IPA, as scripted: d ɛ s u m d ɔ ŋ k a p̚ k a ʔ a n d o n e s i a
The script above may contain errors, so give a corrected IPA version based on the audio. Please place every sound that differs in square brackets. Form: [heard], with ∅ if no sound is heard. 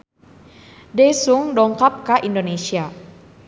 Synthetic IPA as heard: d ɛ s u [ŋ] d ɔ ŋ k a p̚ k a ʔ [i] n d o n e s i a